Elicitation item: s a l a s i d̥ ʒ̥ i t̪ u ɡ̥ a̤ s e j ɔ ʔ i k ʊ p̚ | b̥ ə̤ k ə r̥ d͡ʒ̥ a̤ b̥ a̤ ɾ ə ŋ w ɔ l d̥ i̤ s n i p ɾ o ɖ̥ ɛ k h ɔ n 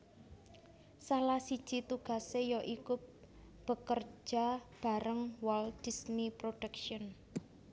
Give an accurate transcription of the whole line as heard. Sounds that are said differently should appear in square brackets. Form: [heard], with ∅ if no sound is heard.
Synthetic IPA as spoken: s a l a s i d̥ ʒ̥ i t̪ u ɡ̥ a̤ s e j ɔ ʔ i k ʊ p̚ | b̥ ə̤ k ə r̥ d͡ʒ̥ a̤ b̥ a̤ ɾ ə ŋ w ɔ l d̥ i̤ s n i p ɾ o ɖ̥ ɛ k [ʃ] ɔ n